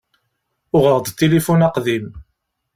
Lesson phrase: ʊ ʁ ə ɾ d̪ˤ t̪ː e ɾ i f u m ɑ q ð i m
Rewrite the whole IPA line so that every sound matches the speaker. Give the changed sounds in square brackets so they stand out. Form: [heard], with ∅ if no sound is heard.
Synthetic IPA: ʊ ʁ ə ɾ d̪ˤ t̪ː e [l] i f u [n] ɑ q ð i m